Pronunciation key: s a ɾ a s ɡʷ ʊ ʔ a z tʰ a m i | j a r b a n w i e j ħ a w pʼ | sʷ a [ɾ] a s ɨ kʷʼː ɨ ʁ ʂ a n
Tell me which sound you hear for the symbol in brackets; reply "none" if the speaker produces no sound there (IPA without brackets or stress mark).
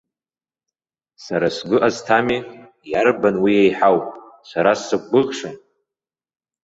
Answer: ɾ